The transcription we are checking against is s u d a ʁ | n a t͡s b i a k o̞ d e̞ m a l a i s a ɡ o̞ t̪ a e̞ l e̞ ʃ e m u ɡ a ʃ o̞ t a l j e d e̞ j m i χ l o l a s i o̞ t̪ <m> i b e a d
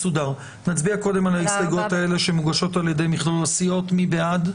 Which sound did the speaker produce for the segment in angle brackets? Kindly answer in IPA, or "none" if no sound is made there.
m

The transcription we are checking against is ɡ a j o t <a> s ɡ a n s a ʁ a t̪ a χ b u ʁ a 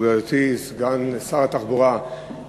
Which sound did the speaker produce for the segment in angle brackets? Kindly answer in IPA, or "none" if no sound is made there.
i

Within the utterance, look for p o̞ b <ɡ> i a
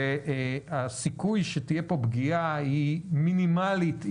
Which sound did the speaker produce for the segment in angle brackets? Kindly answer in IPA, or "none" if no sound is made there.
ɡ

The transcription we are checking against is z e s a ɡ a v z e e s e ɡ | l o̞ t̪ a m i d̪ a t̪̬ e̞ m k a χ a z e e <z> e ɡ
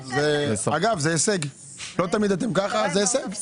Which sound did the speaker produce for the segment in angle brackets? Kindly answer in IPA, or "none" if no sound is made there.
s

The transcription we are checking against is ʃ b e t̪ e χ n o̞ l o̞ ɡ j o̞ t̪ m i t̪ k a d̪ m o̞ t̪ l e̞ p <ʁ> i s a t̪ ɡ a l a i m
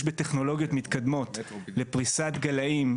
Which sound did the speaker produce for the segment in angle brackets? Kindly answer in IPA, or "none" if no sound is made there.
ʁ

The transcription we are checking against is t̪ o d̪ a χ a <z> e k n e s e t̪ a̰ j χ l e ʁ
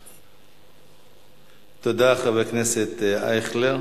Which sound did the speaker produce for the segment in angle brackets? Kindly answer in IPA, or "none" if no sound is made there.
v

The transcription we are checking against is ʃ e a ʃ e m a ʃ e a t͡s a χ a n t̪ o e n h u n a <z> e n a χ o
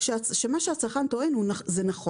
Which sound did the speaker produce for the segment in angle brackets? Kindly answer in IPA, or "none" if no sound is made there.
z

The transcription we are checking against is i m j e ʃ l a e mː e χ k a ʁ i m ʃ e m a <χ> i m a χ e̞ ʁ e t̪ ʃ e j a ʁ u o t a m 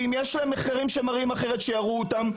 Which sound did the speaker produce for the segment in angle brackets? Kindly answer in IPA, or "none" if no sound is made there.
ʁ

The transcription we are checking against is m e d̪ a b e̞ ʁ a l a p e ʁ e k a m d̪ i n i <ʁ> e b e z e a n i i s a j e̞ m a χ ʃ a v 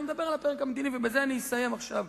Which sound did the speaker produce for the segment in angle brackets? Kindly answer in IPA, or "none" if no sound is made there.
v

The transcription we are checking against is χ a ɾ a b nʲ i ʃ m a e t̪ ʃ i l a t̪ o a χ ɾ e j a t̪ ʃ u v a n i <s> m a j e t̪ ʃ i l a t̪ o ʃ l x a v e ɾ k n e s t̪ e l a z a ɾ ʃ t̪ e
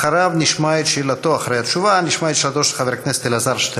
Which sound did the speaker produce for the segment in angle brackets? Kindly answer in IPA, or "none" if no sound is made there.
ʃ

